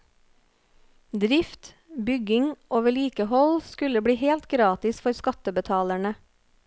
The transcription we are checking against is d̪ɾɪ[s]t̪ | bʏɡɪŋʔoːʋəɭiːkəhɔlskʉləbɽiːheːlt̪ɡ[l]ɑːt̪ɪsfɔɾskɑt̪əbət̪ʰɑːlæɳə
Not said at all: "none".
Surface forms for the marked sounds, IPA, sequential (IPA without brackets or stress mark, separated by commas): f, ɾ